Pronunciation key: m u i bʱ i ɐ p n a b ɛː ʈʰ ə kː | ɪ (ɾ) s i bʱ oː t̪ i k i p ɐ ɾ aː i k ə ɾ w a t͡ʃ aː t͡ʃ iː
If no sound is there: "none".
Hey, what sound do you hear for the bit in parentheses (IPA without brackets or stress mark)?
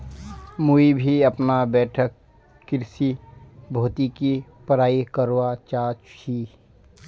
ɾ